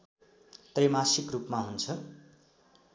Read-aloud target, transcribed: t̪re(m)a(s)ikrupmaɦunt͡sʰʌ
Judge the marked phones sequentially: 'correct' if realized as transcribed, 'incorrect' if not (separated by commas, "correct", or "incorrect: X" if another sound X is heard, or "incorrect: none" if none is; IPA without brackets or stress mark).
correct, correct